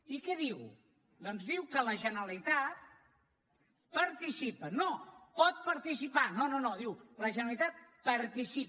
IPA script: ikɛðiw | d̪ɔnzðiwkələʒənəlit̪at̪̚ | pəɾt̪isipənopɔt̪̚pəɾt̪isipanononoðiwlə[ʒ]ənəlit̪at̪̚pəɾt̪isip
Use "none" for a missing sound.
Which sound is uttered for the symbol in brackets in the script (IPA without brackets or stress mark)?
ʒ